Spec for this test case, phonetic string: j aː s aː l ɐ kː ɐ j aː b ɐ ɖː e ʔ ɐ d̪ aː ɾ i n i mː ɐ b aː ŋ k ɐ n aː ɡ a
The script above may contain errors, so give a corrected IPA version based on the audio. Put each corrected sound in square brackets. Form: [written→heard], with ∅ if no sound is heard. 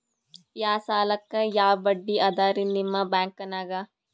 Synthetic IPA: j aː s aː l ɐ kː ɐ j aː b ɐ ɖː [e→i] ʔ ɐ d̪ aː ɾ i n i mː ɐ b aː ŋ k ɐ n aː ɡ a